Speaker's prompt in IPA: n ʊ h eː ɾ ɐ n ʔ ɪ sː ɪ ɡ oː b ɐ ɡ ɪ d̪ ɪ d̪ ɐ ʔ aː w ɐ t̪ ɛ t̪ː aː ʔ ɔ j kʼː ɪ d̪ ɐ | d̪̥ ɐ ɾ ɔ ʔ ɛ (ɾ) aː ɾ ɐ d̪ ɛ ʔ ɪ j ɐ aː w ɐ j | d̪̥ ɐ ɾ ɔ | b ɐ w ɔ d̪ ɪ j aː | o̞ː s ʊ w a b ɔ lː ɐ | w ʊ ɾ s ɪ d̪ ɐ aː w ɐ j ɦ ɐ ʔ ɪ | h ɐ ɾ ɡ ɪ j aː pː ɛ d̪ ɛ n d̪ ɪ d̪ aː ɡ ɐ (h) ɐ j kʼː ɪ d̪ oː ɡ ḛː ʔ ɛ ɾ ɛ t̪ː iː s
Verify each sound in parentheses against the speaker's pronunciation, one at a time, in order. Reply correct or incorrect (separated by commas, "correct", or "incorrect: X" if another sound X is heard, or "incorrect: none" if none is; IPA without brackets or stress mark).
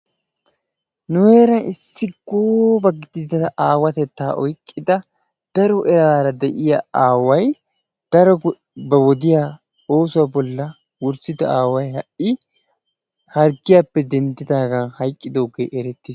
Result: correct, correct